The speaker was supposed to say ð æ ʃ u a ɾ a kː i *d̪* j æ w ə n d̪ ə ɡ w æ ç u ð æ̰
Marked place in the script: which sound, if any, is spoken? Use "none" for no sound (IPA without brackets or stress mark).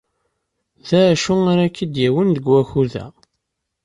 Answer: d̪